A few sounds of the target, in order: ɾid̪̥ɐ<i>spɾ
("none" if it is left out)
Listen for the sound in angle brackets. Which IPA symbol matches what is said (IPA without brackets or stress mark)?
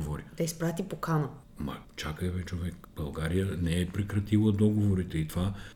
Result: i